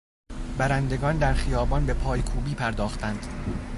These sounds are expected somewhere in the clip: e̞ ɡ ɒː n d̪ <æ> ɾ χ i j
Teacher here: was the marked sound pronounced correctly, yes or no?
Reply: yes